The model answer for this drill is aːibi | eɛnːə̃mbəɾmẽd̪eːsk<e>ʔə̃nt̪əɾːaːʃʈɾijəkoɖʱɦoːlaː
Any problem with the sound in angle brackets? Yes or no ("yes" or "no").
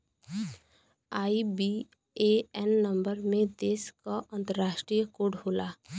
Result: yes